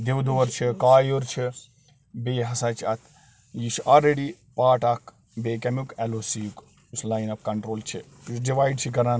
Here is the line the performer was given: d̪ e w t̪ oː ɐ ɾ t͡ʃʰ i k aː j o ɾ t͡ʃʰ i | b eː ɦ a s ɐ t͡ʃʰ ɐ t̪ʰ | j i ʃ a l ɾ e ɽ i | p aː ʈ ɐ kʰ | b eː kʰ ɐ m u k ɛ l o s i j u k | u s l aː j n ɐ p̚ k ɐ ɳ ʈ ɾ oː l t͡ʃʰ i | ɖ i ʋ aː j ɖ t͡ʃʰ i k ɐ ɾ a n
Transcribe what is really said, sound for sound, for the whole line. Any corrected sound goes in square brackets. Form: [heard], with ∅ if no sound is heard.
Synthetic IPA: d̪ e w [d̪] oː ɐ ɾ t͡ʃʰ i k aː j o ɾ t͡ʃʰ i | b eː ɦ [ɐ] s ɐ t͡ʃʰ ɐ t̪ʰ | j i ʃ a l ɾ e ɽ i | p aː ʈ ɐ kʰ | b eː [k] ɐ m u k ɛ l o s i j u k | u s l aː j n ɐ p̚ k ɐ ɳ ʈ ɾ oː l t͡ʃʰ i | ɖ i ʋ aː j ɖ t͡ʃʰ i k ɐ ɾ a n

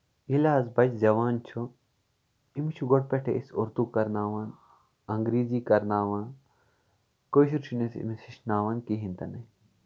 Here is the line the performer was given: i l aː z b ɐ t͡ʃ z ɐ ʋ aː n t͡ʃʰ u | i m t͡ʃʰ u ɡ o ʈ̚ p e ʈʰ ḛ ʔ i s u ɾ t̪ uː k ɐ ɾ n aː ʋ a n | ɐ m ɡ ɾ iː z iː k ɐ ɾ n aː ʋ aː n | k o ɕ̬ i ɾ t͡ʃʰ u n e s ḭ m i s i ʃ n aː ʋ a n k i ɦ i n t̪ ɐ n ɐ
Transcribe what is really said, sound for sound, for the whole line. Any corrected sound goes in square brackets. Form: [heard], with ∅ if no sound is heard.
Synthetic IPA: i l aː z b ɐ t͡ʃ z ɐ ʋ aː n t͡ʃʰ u | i m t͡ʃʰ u ɡ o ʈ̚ p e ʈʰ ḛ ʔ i s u ɾ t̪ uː k ɐ ɾ n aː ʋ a n | ɐ [ŋ] ɡ ɾ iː z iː k ɐ ɾ n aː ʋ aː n | k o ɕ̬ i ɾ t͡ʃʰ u n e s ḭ m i s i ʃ n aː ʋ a n k i ɦ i n t̪ ɐ n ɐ

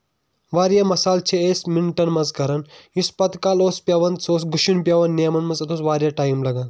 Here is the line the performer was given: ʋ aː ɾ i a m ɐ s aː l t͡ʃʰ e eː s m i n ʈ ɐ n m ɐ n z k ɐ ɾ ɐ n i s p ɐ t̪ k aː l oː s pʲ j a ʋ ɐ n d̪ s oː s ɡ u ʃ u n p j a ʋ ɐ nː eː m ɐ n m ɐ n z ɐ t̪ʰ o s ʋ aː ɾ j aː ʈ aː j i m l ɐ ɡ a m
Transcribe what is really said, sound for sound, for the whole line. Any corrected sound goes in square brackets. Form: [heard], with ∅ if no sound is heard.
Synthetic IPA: ʋ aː ɾ [j] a m ɐ s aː l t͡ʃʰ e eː s m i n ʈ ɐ n m ɐ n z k ɐ ɾ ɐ n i s p ɐ t̪ k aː l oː s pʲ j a ʋ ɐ n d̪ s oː s ɡ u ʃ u n p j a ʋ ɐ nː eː m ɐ n m ɐ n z ɐ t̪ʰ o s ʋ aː ɾ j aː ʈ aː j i m l ɐ ɡ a [n]

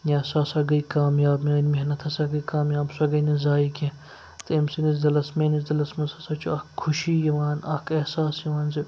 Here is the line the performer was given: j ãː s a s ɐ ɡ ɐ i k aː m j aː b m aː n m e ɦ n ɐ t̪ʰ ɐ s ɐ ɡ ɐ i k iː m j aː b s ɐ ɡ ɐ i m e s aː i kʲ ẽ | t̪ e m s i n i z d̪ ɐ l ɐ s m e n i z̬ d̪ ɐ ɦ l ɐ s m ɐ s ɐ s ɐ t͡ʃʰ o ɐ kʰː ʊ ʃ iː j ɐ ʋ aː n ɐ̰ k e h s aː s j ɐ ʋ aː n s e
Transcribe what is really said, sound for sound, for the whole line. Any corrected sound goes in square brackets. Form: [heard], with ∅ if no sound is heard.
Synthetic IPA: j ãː s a s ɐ ɡ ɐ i k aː m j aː b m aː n m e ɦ n ɐ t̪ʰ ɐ s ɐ ɡ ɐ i k [aː] m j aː b s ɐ ɡ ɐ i [n] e [z] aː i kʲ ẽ | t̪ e m s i n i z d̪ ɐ l ɐ s m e n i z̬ d̪ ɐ [∅] l ɐ s m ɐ s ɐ s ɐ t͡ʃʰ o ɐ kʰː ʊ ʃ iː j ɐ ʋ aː n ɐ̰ k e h s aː s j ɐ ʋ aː n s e

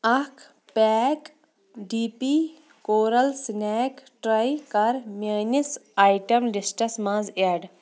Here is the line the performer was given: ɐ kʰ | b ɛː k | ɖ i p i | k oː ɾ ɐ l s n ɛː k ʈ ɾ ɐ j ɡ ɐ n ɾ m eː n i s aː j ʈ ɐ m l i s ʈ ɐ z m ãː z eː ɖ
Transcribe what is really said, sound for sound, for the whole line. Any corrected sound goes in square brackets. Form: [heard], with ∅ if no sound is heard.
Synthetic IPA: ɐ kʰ | [p] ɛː k | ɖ i p i | k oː ɾ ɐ l s n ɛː k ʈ ɾ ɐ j [k] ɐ [∅] ɾ m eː n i s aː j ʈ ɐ m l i s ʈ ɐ [s] m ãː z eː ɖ

